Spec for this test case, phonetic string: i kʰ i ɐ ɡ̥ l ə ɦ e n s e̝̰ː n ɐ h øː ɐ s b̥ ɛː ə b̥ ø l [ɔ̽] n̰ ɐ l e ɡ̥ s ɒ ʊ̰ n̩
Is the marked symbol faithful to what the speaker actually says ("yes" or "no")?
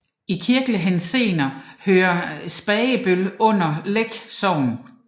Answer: yes